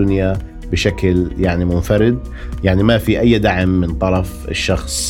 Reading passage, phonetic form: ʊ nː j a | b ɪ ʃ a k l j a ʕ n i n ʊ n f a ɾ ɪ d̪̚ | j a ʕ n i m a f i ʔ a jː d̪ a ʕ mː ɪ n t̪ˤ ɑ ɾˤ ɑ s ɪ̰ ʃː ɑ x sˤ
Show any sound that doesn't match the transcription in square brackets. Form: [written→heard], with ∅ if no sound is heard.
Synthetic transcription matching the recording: ʊ [nː→n] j a | b ɪ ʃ a k l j a ʕ n i [n→m] ʊ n f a ɾ ɪ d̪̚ | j a ʕ n i m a f i ʔ a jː d̪ a ʕ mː ɪ n t̪ˤ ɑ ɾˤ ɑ [s→f] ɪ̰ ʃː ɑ x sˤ